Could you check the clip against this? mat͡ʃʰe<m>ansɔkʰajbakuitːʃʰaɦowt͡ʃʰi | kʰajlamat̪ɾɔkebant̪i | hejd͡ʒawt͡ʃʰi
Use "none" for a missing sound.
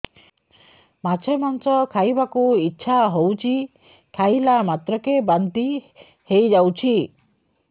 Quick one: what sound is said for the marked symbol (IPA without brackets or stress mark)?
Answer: m